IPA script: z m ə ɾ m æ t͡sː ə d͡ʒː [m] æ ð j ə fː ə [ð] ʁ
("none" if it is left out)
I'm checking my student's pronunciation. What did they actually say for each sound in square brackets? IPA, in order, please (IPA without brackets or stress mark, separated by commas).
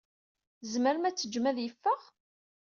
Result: m, none